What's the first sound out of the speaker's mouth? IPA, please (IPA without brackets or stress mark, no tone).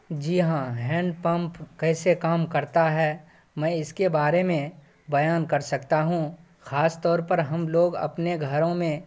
d͡ʒ